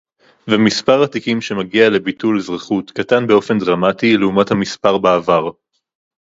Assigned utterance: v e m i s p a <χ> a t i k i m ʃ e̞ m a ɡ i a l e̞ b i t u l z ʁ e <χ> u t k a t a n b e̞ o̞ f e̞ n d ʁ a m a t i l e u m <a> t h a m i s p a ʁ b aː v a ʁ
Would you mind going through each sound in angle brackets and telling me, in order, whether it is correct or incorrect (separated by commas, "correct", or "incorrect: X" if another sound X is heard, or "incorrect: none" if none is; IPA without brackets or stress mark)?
incorrect: ʁ, correct, correct